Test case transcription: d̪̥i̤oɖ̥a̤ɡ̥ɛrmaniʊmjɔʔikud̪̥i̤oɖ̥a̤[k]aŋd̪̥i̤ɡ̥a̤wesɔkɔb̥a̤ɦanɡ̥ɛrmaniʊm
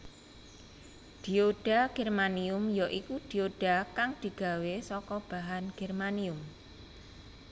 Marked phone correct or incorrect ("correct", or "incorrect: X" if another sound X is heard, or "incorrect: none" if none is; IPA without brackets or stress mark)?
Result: correct